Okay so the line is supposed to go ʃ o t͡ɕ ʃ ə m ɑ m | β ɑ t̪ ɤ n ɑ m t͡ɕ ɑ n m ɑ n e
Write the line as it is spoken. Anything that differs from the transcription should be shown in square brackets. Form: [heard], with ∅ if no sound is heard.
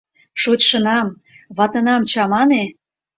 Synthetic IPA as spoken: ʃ o t͡ɕ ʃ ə [n] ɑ m | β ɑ t̪ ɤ n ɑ m t͡ɕ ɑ [∅] m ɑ n e